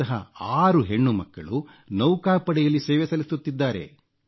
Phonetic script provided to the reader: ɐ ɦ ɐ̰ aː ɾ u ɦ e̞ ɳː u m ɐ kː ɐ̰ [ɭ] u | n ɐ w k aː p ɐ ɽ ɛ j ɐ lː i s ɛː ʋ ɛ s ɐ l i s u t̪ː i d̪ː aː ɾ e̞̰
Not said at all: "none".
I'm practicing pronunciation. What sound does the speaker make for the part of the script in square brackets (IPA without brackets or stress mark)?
ɭ